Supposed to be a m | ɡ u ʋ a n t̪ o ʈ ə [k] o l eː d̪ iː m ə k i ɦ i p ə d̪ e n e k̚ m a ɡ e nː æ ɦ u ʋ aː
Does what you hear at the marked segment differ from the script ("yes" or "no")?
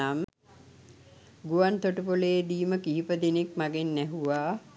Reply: yes